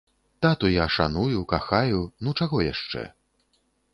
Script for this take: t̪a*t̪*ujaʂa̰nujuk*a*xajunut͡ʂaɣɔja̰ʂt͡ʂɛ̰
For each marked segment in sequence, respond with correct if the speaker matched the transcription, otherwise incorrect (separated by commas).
correct, correct